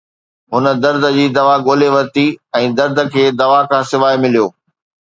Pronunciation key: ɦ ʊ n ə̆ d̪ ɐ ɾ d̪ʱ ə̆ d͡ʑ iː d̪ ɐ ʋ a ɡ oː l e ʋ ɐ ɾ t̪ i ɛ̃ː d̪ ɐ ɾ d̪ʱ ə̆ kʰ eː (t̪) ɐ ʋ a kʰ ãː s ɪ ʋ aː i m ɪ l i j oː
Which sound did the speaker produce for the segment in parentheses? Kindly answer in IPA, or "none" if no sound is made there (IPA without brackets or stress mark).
d̪